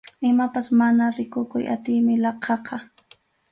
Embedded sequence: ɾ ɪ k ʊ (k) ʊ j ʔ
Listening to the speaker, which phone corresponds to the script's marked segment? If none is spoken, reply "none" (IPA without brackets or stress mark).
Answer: k